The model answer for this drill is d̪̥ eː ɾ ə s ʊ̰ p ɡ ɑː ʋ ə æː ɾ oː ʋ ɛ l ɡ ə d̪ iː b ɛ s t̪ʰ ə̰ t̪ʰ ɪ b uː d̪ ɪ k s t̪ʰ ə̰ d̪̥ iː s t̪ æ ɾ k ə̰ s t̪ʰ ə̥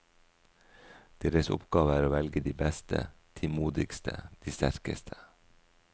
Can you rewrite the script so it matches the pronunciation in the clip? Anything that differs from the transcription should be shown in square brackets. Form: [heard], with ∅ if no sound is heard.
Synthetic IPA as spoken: d̪̥ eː ɾ ə s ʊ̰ p ɡ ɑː ʋ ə æː ɾ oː ʋ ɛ l ɡ ə d̪ iː b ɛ s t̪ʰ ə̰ t̪ʰ ɪ [m] uː d̪ ɪ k s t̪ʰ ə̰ d̪̥ iː s t̪ æ ɾ k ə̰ s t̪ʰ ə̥